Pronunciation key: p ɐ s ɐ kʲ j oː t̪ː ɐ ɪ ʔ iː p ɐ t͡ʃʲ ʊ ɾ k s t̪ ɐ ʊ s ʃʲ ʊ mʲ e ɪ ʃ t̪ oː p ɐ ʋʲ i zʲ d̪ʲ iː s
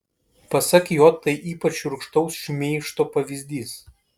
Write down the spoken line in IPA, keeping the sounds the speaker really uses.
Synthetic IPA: p ɐ s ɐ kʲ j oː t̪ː ɐ ɪ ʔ iː p ɐ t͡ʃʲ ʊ ɾ k ʃ t̪ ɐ ʊ s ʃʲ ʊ mʲ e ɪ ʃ t̪ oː p ɐ ʋʲ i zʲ d̪ʲ iː s